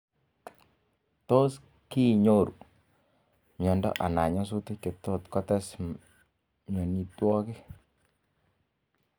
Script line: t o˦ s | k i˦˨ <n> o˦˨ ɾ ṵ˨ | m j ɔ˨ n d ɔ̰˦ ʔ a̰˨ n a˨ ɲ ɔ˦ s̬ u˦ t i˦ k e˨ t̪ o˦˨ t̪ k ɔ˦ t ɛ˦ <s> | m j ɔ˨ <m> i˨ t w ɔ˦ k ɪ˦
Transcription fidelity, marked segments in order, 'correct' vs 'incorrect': incorrect, correct, incorrect

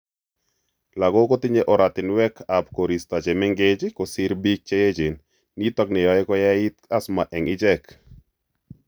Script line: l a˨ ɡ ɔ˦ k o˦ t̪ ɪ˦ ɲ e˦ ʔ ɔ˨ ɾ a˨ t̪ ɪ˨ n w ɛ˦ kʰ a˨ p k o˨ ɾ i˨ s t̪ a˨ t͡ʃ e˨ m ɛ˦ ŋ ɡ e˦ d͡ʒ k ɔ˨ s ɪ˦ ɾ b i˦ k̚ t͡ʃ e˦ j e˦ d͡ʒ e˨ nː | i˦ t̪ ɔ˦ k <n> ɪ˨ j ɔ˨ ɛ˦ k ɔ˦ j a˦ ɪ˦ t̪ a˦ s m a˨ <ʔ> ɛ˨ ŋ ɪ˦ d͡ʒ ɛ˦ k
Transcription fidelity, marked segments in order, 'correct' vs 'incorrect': correct, correct

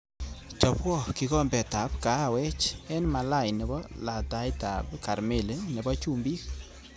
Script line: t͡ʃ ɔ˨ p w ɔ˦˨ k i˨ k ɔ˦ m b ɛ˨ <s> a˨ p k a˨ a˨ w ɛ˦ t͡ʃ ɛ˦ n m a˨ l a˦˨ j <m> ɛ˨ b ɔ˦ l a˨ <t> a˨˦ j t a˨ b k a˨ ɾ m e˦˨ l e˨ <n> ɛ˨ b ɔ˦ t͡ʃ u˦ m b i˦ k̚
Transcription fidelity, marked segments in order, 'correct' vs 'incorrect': incorrect, incorrect, correct, correct

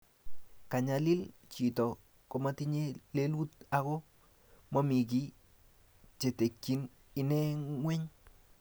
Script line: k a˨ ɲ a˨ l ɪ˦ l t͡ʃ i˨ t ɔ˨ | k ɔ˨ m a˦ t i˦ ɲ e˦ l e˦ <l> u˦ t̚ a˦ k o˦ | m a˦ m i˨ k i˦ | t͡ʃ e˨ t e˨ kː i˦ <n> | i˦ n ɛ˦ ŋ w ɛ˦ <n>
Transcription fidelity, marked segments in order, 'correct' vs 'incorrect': correct, correct, incorrect

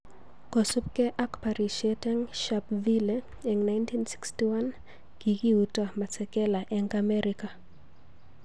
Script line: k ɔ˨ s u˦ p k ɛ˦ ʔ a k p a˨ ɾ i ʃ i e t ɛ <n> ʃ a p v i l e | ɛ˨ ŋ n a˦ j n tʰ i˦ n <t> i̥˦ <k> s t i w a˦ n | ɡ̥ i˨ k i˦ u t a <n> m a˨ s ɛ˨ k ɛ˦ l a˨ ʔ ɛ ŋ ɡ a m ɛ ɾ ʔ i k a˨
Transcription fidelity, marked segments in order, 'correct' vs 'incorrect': incorrect, incorrect, correct, incorrect

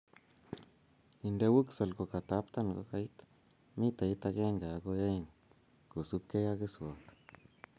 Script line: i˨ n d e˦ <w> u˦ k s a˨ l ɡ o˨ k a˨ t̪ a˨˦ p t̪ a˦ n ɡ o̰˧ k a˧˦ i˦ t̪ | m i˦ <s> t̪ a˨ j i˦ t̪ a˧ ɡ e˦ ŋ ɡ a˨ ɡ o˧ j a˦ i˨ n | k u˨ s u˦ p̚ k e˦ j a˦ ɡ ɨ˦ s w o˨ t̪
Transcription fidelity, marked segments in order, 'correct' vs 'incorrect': correct, incorrect

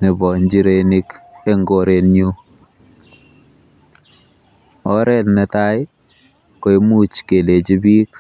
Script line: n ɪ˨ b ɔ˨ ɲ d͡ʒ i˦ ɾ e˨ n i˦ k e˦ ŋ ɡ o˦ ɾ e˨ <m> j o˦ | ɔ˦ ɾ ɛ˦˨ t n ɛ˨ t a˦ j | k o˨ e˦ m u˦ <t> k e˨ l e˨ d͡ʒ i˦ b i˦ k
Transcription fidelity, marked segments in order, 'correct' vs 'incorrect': incorrect, incorrect

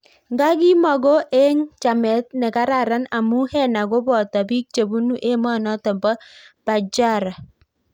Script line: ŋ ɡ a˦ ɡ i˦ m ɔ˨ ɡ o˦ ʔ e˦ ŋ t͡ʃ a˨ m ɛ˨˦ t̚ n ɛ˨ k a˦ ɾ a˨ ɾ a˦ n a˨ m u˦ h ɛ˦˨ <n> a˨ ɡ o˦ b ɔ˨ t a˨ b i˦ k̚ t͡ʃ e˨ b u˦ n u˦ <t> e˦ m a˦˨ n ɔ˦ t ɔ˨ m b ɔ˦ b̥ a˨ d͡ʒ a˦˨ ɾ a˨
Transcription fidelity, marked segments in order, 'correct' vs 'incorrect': correct, incorrect

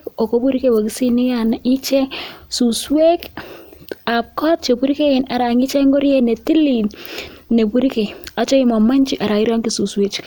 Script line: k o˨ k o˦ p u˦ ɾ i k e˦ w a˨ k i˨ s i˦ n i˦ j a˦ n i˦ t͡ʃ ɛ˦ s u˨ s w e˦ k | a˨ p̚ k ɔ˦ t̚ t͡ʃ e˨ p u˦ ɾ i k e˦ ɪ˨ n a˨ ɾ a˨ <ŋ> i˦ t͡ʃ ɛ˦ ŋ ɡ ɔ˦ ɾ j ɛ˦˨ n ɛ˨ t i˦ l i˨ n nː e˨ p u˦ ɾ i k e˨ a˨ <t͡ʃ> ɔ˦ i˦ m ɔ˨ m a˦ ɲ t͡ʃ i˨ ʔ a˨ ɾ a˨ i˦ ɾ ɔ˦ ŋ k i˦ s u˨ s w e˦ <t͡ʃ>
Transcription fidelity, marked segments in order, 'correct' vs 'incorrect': correct, correct, correct

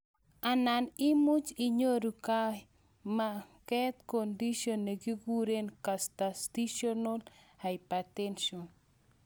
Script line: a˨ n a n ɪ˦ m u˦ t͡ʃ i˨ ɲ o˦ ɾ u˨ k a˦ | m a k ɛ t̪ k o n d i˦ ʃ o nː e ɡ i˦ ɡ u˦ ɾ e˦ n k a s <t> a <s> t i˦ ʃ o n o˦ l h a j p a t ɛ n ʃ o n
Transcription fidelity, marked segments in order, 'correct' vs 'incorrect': correct, correct

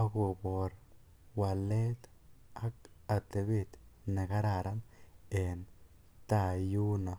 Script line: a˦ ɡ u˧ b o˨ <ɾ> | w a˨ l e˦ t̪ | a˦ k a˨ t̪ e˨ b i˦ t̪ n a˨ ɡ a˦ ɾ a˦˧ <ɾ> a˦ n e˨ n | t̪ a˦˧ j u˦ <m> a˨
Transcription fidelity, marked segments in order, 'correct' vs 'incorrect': correct, correct, incorrect

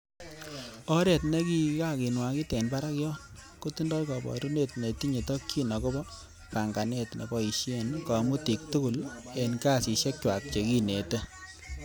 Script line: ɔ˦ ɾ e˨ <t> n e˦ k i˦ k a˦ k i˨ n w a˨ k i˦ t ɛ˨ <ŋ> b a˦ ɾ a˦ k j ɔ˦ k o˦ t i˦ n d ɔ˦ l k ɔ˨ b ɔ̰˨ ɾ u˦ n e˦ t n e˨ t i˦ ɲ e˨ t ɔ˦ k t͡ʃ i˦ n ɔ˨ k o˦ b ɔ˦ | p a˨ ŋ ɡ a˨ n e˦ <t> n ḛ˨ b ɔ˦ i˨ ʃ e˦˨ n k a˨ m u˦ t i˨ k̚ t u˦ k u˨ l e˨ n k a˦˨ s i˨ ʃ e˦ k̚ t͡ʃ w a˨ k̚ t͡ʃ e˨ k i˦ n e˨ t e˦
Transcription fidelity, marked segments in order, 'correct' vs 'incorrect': correct, incorrect, correct

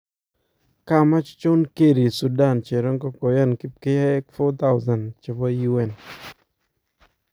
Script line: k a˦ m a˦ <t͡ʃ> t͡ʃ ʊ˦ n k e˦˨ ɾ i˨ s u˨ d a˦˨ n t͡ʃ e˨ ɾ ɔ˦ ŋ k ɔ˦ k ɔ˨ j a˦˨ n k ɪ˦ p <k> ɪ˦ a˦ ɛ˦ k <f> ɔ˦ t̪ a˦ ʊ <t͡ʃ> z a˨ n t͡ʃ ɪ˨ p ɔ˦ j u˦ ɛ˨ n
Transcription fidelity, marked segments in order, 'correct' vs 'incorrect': correct, correct, correct, incorrect

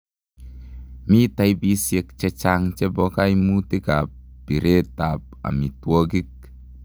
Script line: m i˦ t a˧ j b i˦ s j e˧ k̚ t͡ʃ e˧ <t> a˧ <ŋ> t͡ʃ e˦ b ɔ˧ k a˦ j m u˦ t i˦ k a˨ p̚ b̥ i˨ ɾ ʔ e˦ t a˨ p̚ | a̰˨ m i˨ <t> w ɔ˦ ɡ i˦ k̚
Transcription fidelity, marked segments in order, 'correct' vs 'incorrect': incorrect, correct, correct

